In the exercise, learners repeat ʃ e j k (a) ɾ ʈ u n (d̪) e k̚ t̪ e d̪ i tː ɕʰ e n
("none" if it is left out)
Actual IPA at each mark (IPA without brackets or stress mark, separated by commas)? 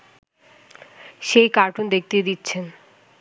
a, d̪